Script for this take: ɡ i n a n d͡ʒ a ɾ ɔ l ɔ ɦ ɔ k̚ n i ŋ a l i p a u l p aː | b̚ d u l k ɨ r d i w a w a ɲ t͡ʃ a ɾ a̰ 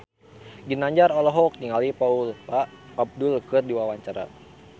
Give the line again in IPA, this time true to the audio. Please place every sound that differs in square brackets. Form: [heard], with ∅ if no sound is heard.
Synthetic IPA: ɡ i n a [ɲ] d͡ʒ a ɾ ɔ l ɔ ɦ ɔ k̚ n i ŋ a l i p a u l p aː | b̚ d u l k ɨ r d i w a w a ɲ t͡ʃ a ɾ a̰